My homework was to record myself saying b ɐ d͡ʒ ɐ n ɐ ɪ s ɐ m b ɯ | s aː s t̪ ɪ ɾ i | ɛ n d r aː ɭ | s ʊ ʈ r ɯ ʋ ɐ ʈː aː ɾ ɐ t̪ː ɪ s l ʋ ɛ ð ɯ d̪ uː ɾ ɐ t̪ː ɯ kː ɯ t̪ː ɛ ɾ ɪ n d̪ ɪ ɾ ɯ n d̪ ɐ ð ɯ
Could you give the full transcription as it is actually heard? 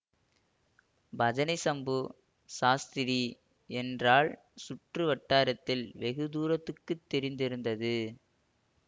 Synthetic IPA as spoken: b ɐ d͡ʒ ɐ n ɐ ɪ s ɐ m b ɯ | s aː s t̪ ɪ ɾ i | ɛ n d r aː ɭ | s ʊ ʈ r ɯ ʋ ɐ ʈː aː ɾ ɐ t̪ː ɪ l ʋ ɛ ɣ ɯ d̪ uː ɾ ɐ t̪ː ɯ kː ɯ t̪ː ɛ ɾ ɪ n d̪ ɪ ɾ ɯ n d̪ ɐ ð ɯ